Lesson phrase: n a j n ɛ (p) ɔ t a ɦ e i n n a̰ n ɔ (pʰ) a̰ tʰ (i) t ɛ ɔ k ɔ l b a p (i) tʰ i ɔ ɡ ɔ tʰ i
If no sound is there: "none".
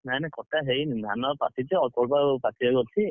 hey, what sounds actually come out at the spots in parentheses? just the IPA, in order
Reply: k, p, i, a

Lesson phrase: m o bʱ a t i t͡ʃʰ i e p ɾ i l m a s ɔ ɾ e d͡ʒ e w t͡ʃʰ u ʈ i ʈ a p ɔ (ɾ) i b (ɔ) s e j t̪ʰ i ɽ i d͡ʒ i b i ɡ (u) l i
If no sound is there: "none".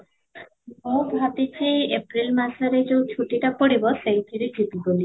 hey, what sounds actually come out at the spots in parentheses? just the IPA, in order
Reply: ɽ, ɔ, o

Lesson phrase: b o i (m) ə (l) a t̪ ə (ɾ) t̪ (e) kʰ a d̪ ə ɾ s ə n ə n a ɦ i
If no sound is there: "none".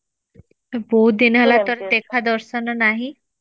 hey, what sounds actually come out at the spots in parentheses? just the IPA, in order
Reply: n, l, ɾ, e

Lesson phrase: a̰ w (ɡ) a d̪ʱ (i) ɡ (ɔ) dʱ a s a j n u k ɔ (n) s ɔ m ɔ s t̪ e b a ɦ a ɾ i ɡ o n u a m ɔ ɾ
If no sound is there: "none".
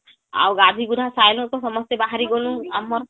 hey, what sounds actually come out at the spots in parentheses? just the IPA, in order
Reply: ɡ, i, u, none

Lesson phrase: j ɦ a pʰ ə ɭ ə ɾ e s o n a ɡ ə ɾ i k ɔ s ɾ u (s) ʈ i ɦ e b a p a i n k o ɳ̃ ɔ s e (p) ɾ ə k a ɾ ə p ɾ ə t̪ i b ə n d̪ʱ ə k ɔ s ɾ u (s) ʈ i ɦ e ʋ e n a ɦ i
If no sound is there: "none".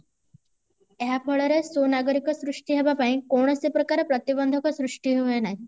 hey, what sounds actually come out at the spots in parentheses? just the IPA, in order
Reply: ʂ, p, ʂ

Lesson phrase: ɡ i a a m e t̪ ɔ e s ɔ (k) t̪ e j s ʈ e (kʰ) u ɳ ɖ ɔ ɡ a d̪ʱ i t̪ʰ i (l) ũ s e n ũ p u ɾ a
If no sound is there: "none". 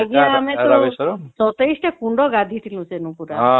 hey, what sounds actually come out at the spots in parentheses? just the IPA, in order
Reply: none, k, l

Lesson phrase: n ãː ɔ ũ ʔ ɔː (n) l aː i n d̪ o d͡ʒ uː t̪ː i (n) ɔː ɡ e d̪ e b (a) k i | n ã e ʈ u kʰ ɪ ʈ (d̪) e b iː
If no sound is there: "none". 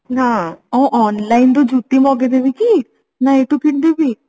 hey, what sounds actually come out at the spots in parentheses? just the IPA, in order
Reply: n, m, i, d̪

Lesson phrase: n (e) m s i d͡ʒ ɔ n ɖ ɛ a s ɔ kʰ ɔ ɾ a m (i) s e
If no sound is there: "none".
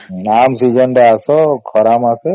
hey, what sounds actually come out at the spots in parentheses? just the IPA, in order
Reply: a, a

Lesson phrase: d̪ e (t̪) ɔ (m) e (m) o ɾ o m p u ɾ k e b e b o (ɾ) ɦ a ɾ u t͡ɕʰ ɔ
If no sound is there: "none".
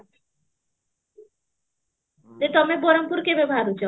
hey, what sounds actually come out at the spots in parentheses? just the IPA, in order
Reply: t̪, m, b, none

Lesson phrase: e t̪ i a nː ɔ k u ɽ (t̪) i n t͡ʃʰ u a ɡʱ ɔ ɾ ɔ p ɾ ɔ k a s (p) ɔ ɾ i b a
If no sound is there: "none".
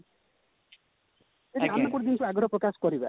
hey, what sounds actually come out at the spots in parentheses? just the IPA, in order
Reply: d̪, k

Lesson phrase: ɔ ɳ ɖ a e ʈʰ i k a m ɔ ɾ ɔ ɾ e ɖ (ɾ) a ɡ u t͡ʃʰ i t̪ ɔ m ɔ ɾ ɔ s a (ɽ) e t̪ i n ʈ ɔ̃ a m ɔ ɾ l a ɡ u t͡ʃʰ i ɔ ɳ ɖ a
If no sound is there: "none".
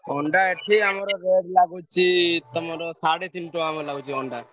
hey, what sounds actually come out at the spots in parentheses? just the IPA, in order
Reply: l, ɽ

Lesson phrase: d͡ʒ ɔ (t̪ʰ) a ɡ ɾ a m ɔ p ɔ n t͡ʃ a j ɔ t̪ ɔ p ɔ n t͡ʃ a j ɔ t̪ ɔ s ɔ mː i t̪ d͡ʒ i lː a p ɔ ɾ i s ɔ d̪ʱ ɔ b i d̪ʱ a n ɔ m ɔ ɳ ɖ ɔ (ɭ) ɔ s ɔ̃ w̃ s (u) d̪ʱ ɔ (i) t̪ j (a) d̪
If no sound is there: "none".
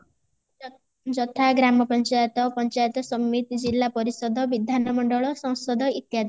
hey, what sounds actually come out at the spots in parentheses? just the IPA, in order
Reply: t̪ʰ, ɭ, ɔ, i, a

